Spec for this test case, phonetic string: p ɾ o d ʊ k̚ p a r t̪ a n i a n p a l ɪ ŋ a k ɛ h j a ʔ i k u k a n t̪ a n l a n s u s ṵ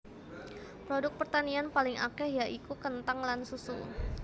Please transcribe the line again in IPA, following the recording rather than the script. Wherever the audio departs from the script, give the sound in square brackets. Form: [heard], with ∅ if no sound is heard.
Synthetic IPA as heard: p ɾ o d ʊ k̚ p [ə] r t̪ a n i a n p a l ɪ ŋ a k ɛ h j a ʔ i k u k [ə] n t̪ a [ŋ] l a n s u s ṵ